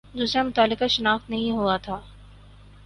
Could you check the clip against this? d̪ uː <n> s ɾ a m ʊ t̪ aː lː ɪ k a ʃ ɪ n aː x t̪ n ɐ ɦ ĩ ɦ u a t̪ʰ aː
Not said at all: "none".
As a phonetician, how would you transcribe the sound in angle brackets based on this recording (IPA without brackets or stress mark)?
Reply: none